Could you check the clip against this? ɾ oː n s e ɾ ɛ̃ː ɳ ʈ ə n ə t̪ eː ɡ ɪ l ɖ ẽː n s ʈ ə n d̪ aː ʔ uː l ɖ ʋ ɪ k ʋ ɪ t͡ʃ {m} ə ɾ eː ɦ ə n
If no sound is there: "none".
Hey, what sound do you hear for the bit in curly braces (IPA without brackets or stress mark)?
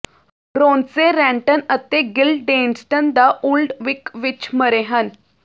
m